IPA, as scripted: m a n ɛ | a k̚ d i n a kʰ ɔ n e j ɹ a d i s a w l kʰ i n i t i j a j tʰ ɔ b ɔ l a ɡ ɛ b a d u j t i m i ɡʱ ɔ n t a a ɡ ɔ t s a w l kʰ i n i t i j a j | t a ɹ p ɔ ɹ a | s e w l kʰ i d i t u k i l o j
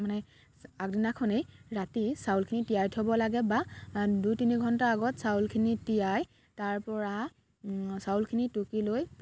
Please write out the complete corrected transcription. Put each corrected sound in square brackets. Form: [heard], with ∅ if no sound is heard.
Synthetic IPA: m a n ɛ | a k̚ d i n a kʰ ɔ n e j ɹ a [t] i s a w l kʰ i n i t i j a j tʰ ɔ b ɔ l a ɡ ɛ b a d u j t i [n] i ɡʱ ɔ n t a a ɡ ɔ t s a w l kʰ i n i t i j a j | t a ɹ p ɔ ɹ a | s [a] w l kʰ i [n] i t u k i l o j

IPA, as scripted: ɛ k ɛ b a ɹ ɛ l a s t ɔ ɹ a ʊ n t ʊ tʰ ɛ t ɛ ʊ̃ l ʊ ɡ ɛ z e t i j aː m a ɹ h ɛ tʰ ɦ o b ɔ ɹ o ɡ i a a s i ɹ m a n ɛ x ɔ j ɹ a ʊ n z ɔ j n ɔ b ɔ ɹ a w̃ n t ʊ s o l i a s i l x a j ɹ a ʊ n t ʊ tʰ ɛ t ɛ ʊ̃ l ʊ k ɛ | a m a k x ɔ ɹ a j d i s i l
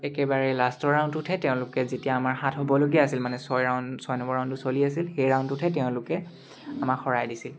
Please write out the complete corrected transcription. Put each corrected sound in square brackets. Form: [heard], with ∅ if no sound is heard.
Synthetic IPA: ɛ k ɛ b a ɹ ɛ l a s t ɔ ɹ a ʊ n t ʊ tʰ ɛ t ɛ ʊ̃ l ʊ [k] ɛ z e t i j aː m a ɹ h [a] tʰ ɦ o b ɔ [l] o ɡ i a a s i [l] m a n ɛ [s] ɔ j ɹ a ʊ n [s] ɔ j n ɔ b ɔ ɹ a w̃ n t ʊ s o l i a s i l x [e] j ɹ a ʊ n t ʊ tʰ ɛ t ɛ ʊ̃ l ʊ k ɛ | a m a k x ɔ ɹ a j d i s i l

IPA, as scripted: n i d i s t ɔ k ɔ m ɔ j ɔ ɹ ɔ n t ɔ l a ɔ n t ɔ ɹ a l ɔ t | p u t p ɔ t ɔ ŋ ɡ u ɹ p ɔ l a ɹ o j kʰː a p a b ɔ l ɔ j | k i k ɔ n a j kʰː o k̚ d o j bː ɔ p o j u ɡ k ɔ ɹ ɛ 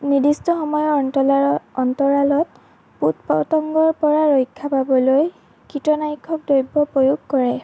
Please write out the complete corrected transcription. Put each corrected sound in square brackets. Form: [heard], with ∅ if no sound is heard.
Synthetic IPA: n i d i s t ɔ [x] ɔ m ɔ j ɔ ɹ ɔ n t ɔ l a ɔ n t ɔ ɹ a l ɔ t | p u t p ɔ t ɔ ŋ ɡ [ɔ] ɹ p ɔ [ɹ] a ɹ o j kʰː a p a b ɔ l [o] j | k i [t] ɔ n a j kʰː [ɔ] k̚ d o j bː ɔ p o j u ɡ k ɔ ɹ ɛ

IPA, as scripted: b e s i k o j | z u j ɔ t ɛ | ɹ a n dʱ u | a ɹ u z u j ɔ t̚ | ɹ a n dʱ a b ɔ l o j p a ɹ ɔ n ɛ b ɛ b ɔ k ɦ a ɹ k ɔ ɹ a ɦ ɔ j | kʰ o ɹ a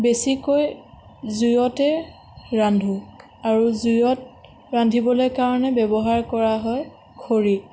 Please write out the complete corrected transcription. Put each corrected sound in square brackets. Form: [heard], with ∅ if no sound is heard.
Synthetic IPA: b e s i k o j | z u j ɔ t ɛ | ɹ a n dʱ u | a ɹ u z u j ɔ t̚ | ɹ a n dʱ [i] b ɔ l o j [k] a ɹ ɔ n ɛ b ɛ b ɔ [∅] ɦ a ɹ k ɔ ɹ a ɦ ɔ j | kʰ o ɹ [i]

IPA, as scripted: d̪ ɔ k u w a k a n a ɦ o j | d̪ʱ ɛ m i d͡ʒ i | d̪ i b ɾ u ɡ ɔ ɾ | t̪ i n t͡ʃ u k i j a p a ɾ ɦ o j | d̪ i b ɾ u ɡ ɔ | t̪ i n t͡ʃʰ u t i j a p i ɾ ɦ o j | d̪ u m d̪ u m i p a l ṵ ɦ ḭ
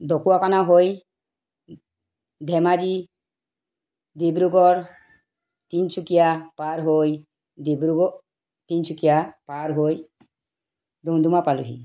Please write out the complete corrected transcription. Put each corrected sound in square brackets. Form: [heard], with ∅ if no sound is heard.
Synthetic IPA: d̪ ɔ k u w a k a n a ɦ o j | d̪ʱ ɛ m [a] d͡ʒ i | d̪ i b ɾ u ɡ ɔ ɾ | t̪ i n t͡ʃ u k i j a p a ɾ ɦ o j | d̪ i b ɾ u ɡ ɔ | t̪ i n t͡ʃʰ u [k] i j a p [a] ɾ ɦ o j | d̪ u m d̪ u m [a] p a l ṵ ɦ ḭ

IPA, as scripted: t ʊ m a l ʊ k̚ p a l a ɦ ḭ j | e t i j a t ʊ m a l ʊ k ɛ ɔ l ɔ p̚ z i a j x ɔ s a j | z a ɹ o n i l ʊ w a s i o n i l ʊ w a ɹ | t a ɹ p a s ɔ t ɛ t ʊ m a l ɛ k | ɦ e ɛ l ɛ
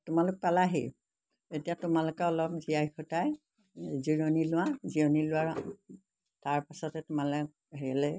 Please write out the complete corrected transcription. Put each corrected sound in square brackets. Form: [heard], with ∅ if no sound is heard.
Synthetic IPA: t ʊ m a l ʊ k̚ p a l a ɦ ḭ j | e t i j a t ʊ m a l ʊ k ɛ ɔ l ɔ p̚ z i a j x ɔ [t] a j | z [i] ɹ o n i l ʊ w a [z] i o n i l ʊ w a ɹ | t a ɹ p a s ɔ t ɛ t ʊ m a l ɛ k | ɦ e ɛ l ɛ

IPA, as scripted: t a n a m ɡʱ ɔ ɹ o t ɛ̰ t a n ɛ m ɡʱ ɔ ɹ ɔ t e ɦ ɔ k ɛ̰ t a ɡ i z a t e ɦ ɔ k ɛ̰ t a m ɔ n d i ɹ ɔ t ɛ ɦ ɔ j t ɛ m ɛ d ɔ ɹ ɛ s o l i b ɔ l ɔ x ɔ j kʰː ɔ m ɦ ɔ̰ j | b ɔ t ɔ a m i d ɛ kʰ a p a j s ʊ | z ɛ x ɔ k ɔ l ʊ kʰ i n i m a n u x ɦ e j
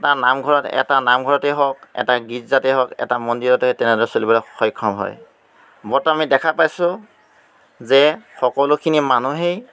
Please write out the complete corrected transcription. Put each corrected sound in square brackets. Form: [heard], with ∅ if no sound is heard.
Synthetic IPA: t a n a m ɡʱ ɔ ɹ [ɔ] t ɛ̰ t a n [a] m ɡʱ ɔ ɹ ɔ t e ɦ ɔ k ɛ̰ t a ɡ i z a t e ɦ ɔ k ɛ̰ t a m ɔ n d i ɹ ɔ t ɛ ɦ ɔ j t ɛ [n] ɛ d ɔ ɹ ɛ s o l i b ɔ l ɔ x ɔ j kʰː ɔ m ɦ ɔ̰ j | b ɔ t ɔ a m i d ɛ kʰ a p a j s ʊ | z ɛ x ɔ k ɔ l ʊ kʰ i n i m a n u [∅] ɦ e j

